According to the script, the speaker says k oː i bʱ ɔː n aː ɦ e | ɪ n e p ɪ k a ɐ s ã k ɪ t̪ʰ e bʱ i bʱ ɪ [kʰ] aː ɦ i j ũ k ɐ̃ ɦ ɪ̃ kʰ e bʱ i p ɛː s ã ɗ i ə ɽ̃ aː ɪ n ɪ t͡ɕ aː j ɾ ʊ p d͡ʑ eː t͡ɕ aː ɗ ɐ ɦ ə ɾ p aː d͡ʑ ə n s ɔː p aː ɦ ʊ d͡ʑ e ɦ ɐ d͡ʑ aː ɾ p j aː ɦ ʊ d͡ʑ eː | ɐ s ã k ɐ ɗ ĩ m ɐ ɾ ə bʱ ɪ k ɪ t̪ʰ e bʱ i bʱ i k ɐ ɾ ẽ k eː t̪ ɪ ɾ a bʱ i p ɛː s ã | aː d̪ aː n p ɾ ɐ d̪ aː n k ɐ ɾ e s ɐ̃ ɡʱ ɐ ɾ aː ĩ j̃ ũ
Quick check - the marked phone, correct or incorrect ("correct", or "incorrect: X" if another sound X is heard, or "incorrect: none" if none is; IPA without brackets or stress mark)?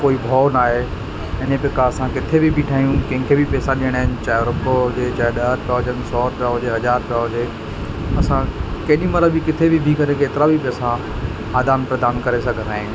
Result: incorrect: ʈʰ